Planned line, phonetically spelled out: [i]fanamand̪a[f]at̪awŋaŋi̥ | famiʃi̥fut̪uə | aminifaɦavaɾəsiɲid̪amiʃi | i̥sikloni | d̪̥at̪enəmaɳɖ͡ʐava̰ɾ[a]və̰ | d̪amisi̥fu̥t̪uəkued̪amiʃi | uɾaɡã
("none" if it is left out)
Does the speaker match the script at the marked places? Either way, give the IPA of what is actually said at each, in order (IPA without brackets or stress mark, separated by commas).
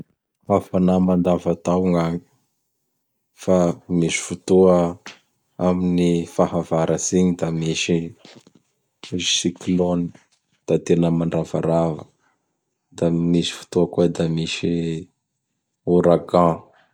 a, v, a